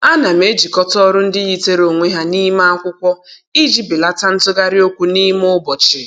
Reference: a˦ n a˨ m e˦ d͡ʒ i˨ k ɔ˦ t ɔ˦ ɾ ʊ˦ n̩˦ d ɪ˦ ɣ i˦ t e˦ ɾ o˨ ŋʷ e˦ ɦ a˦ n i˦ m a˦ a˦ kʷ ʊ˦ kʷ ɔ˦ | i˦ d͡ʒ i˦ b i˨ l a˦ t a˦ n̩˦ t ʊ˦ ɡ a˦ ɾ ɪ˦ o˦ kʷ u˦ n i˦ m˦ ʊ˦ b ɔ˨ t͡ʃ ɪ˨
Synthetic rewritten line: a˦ n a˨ m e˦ d͡ʒ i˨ k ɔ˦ t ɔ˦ ɾ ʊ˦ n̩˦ d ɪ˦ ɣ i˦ t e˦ ɾ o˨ ŋʷ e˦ ɦ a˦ n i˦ m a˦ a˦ kʷ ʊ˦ kʷ ɔ˦ | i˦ d͡ʒ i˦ b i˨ l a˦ t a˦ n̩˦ t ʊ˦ ɡ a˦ ɾ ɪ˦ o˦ kʷ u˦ n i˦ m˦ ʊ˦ b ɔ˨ t͡ʃ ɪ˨

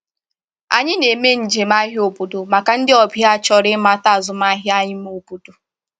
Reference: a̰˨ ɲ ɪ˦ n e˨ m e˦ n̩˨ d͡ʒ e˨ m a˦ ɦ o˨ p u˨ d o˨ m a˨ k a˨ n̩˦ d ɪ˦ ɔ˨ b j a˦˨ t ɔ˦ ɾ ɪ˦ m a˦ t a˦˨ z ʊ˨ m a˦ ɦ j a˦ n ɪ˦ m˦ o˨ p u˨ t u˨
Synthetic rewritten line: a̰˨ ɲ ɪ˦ n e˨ m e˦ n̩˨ d͡ʒ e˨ m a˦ ɦ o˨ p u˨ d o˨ m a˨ k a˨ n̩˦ d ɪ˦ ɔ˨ b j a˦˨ t͡ʃ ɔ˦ ɾ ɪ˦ m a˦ t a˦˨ z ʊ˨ m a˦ ɦ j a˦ ɲ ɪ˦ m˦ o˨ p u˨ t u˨

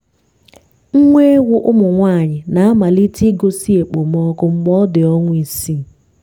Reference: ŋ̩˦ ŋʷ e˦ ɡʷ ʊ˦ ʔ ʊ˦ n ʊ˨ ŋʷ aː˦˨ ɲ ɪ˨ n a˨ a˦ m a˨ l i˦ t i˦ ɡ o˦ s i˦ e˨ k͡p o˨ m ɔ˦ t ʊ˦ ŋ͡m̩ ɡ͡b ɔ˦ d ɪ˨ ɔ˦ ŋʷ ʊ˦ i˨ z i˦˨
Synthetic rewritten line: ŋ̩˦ ŋʷ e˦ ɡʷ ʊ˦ ʔ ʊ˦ m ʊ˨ ŋʷ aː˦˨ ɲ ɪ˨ n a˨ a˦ m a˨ l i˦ t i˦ ɡ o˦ s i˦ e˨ k͡p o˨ m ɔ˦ k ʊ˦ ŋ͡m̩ ɡ͡b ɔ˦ d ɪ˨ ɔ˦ ŋʷ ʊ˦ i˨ s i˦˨

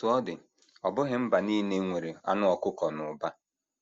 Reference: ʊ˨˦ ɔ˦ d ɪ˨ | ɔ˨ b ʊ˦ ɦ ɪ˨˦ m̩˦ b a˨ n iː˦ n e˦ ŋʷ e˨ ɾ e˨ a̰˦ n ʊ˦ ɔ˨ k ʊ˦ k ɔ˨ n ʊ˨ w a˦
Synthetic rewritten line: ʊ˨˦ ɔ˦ d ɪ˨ | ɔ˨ b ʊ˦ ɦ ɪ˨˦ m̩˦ b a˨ n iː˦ n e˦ ŋʷ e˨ ɾ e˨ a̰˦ n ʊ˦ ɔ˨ k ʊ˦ k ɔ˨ n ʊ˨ b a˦

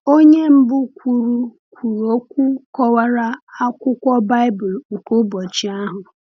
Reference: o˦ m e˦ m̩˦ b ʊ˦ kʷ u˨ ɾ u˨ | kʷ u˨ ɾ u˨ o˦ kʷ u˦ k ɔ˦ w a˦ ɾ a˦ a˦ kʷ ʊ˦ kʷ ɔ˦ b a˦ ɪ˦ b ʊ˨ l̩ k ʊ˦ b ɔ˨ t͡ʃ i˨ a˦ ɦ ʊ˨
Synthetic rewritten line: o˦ ɲ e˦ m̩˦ b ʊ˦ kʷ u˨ ɾ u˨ | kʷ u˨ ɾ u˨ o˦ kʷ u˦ k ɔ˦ w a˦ ɾ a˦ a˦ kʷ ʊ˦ kʷ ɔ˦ b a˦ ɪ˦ b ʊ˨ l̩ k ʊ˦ b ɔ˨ t͡ʃ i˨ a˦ ɦ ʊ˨

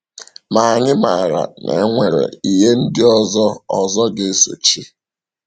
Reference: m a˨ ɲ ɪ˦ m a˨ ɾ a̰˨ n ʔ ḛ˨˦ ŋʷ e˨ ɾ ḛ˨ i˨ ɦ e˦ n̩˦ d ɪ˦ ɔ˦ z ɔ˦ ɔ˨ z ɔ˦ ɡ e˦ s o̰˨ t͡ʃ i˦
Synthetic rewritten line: m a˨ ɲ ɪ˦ m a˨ ɾ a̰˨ n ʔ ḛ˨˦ ŋʷ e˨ ɾ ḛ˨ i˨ ɦ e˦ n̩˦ d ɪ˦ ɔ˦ z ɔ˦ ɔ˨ z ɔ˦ ɡ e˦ s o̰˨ t͡ʃ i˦

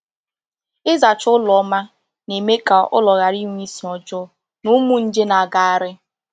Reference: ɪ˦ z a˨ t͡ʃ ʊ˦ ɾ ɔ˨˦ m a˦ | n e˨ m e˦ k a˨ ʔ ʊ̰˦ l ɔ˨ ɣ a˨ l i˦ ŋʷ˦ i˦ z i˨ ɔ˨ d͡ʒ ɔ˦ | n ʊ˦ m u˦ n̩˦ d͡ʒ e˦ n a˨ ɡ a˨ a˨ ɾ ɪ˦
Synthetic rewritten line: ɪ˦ z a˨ t͡ʃ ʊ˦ l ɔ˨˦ m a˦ | n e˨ m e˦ k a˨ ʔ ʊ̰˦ l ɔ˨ ɣ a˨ ɾ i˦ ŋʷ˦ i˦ s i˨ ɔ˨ d͡ʒ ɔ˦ | n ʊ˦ m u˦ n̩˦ d͡ʒ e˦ n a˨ ɡ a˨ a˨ ɾ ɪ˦

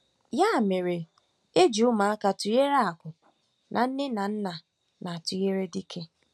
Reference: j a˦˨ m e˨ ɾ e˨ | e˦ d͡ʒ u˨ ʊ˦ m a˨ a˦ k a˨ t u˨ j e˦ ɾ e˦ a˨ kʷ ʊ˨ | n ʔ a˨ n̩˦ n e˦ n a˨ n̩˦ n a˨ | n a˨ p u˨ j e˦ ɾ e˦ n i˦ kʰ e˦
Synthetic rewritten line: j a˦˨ m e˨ ɾ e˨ | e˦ d͡ʒ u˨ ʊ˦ m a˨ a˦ k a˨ t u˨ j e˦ ɾ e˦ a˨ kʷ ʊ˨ | n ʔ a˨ n̩˦ n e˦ n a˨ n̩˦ n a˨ | n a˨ t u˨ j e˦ ɾ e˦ d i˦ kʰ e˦

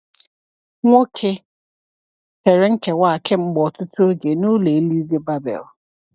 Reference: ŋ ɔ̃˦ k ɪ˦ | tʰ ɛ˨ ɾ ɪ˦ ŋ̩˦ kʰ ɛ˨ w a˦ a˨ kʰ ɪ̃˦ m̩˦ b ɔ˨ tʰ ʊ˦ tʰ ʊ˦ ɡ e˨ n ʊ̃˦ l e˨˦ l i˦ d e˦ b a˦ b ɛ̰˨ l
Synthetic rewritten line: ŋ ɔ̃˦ kʰ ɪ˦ | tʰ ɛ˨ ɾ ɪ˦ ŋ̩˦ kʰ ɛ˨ w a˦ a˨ kʰ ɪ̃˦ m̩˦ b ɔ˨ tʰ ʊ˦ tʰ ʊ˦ ɡ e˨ n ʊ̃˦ l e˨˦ l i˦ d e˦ b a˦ b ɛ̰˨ l

